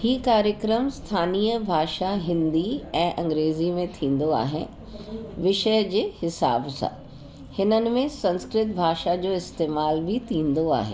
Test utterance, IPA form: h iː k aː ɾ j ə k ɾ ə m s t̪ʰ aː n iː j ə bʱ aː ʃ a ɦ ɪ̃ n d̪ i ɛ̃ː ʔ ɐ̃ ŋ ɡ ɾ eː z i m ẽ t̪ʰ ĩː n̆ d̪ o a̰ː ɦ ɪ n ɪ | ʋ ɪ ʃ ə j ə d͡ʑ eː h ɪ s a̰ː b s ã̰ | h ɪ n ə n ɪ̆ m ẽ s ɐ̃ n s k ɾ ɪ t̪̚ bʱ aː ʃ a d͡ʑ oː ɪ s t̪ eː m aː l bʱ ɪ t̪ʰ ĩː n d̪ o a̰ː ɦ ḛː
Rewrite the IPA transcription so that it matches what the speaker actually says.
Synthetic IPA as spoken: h iː k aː ɾ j ə k ɾ ə m s t̪ʰ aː n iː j ə bʱ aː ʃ a ɦ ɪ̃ n d̪ i ɛ̃ː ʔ ɐ̃ ŋ ɡ ɾ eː z i m ẽ t̪ʰ ĩː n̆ d̪ o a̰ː ɦ ɪ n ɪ | ʋ ɪ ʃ ə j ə d͡ʑ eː h ɪ s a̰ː b s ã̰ | h ɪ n ə n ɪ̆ m ẽ s ɐ̃ n s k ɾ ɪ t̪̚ bʱ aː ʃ a d͡ʑ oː ɪ s t̪ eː m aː l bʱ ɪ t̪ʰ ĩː n d̪ o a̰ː ɦ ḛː